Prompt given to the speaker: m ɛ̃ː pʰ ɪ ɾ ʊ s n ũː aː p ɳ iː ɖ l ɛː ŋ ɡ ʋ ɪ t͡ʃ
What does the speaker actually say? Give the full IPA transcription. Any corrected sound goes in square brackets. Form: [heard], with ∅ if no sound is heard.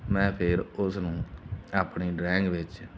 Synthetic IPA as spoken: m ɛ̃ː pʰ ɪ ɾ ʊ s n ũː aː p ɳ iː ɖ [ɾ] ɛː ŋ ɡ ʋ ɪ t͡ʃ